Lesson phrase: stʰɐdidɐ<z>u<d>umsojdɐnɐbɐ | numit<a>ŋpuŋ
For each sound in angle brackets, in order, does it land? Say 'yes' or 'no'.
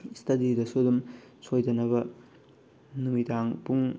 no, yes, yes

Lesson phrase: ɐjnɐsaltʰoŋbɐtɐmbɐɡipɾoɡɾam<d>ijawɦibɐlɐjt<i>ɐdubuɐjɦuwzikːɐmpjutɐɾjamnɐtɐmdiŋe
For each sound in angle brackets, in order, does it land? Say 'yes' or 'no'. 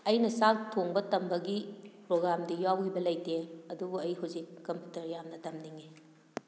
yes, no

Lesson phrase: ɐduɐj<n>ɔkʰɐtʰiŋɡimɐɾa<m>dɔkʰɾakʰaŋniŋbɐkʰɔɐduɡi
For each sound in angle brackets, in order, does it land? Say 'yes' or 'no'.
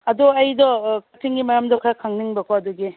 no, yes

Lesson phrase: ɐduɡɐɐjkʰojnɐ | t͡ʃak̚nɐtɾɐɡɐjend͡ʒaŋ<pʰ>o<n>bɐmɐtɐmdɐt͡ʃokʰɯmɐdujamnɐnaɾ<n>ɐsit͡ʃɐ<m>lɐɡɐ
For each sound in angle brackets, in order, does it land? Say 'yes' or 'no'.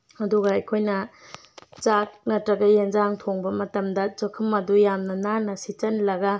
no, no, yes, no

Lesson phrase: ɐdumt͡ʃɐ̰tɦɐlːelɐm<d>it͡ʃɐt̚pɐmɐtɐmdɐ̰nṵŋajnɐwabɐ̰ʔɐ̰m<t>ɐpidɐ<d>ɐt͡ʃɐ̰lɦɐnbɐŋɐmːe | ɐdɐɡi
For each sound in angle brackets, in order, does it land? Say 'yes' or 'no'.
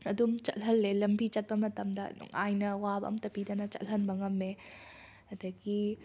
no, yes, no

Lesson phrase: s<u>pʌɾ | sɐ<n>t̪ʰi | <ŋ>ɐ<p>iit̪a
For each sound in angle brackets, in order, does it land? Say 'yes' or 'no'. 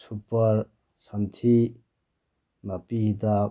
yes, yes, no, yes

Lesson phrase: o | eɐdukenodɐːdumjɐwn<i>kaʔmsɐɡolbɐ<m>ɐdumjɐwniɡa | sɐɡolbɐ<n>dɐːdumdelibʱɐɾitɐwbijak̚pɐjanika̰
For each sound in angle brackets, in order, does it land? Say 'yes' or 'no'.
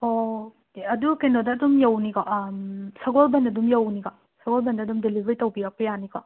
yes, no, yes

